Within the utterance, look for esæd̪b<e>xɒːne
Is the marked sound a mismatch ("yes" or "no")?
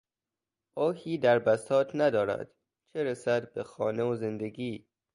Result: no